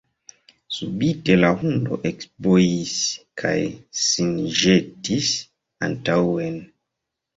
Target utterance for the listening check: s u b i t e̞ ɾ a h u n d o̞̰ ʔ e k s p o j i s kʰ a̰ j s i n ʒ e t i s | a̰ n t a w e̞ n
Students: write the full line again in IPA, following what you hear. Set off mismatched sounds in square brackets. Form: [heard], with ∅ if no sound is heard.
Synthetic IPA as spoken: s u b i t e̞ [l] a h u n d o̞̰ ʔ e k s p o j i s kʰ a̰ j s i n ʒ e t i s | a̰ n t a w e̞ n